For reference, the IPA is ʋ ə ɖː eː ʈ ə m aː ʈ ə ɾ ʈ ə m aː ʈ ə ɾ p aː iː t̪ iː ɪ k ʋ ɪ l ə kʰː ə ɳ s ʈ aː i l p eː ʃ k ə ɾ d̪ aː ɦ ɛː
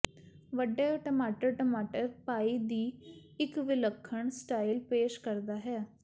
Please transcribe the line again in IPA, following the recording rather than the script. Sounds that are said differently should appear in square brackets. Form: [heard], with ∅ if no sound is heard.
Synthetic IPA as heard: ʋ ə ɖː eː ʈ ə m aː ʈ ə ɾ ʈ ə m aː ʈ ə ɾ p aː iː [d̪] iː ɪ k ʋ ɪ l ə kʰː ə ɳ s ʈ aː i l p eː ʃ k ə ɾ d̪ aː ɦ ɛː